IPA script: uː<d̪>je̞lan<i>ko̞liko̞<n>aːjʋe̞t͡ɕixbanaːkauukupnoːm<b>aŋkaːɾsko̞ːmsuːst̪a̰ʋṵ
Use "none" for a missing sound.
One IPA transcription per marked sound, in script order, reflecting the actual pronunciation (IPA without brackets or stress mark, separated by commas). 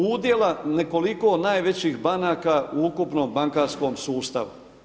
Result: d̪, e, n, b